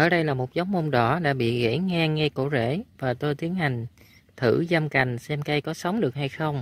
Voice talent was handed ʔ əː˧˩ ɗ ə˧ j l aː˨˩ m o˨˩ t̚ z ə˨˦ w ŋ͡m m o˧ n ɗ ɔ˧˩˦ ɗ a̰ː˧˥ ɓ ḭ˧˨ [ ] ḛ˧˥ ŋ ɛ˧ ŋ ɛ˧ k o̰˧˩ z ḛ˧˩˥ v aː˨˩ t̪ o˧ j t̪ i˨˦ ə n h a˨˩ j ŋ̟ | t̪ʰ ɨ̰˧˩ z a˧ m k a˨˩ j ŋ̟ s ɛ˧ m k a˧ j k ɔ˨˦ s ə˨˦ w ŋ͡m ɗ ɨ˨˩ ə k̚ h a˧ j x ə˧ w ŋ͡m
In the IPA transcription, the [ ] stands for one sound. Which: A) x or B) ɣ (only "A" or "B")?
B